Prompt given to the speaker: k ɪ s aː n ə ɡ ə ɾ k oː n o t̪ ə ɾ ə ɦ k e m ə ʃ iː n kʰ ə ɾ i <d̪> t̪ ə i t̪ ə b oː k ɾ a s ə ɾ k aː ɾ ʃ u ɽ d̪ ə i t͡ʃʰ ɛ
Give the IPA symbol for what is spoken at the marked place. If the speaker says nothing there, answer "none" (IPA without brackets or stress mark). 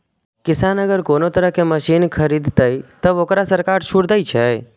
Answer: d̪